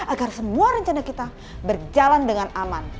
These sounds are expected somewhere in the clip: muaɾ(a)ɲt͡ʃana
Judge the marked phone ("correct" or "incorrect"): incorrect